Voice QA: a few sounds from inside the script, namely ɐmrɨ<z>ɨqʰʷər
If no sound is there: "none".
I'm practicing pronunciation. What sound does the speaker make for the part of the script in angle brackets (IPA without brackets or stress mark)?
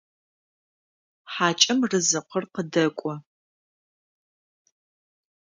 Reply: z